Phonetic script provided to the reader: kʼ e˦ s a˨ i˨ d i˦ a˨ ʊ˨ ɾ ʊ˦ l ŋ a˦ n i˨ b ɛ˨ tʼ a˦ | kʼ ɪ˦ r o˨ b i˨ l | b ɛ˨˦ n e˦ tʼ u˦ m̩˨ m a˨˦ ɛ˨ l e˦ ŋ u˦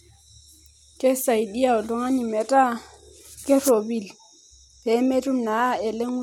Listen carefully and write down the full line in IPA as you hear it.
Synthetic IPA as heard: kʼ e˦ s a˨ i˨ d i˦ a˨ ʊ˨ l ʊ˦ ŋ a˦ n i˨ m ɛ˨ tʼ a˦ | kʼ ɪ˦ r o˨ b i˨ l | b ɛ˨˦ m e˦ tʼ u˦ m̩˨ n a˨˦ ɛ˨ l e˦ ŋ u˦